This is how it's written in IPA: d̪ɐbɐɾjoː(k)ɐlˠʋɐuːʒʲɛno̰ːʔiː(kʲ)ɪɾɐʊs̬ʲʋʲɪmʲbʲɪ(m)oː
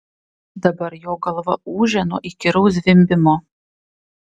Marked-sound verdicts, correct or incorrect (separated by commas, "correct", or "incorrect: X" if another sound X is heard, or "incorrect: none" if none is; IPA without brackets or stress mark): incorrect: ɡ, correct, correct